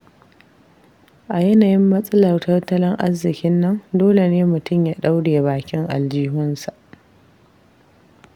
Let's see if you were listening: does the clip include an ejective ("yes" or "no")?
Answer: yes